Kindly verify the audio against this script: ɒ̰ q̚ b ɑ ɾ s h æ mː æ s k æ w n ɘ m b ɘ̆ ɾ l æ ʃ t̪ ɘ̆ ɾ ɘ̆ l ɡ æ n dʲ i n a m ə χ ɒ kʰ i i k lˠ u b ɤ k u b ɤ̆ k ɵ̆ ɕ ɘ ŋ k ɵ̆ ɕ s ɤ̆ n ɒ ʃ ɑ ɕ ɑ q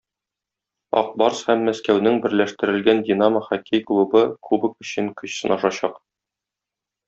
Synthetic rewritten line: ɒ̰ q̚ b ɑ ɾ s h æ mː æ s k æ w n ɘ ŋ b ɘ̆ ɾ l æ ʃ t̪ ɘ̆ ɾ ɘ̆ l ɡ æ n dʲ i n a m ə χ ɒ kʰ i j k lˠ u b ɤ k u b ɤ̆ k ɵ̆ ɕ ɘ ŋ k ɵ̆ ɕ s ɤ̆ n ɒ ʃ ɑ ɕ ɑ q